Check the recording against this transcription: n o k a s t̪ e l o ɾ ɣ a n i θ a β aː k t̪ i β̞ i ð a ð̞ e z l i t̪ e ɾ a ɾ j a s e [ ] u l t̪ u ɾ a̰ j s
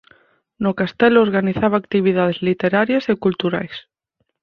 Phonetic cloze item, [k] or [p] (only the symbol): k